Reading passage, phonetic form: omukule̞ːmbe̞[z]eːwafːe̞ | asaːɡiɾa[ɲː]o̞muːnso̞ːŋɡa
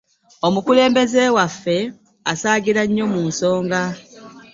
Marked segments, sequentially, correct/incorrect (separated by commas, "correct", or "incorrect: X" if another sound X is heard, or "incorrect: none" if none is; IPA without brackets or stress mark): correct, correct